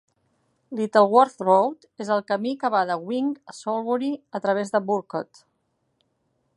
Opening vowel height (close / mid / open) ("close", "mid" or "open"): close